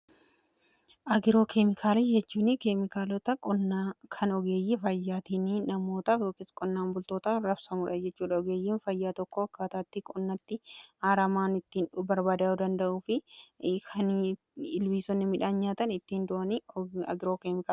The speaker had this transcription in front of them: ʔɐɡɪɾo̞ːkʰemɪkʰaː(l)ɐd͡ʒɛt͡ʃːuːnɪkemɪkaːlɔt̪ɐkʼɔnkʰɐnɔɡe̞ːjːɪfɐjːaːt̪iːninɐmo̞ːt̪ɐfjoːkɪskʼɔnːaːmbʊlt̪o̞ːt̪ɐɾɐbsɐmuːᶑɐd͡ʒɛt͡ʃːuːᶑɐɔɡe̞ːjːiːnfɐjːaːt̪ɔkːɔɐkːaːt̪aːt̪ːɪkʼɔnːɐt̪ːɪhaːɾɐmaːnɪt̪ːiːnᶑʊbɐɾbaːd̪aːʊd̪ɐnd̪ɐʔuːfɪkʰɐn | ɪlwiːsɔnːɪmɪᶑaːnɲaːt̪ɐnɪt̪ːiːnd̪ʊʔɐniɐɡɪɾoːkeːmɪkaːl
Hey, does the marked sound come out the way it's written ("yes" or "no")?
yes